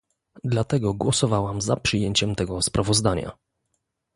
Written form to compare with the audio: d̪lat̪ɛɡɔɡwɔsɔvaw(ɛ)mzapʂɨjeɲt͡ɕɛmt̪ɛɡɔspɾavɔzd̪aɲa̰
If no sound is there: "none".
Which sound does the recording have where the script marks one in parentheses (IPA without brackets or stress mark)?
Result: a